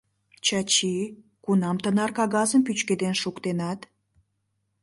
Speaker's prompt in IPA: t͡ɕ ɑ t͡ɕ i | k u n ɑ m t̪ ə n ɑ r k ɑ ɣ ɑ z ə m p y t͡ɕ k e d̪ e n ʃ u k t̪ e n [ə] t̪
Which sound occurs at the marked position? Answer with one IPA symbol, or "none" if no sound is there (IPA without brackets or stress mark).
ɑ